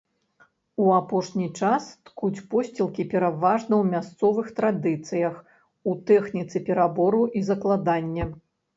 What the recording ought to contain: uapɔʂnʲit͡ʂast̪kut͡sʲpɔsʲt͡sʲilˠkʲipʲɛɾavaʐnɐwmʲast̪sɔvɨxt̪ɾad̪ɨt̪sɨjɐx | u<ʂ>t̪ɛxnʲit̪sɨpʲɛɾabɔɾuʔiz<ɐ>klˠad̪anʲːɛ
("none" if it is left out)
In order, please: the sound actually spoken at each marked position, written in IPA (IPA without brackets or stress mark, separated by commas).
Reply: none, ɐ